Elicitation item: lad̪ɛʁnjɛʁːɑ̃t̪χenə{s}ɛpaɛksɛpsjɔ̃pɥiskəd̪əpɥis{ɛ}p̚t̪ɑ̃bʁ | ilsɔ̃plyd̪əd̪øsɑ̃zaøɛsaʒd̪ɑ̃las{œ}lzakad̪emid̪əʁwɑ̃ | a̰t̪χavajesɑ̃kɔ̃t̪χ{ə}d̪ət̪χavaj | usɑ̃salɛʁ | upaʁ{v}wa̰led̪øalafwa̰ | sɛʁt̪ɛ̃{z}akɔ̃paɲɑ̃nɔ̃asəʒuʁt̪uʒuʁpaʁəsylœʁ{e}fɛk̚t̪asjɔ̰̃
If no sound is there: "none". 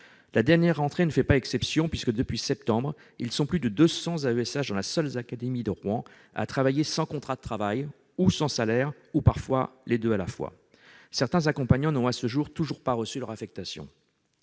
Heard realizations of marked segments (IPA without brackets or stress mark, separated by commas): f, ɛ, œ, a, f, z, a